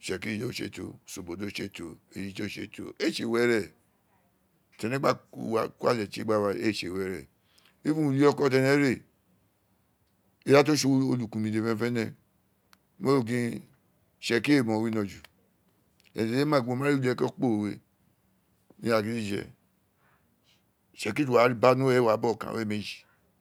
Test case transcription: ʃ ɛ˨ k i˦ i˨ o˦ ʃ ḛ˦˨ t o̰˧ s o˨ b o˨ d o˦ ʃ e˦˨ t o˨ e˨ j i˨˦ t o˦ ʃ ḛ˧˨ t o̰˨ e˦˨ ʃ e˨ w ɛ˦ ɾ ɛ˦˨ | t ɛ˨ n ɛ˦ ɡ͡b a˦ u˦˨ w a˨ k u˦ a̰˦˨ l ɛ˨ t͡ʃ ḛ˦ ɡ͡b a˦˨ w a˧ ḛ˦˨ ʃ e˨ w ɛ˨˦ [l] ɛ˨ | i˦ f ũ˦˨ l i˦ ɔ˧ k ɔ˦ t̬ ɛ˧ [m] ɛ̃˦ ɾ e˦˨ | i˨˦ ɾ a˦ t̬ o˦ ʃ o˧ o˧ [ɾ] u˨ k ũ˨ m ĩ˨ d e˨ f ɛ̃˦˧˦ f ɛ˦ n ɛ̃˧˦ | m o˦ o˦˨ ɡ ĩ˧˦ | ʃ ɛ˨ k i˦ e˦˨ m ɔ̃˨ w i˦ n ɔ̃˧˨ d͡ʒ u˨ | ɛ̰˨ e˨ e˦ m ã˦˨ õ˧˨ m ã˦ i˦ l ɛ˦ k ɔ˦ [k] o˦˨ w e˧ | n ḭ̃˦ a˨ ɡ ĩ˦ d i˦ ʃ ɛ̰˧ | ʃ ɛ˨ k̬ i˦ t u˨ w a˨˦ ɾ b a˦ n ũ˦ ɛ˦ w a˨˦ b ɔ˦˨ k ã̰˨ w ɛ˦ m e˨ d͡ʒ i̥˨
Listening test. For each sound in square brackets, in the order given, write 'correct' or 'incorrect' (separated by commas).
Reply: incorrect, incorrect, incorrect, incorrect